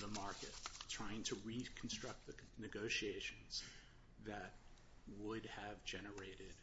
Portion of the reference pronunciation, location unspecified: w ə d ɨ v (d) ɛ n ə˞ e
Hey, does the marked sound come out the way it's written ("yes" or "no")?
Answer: no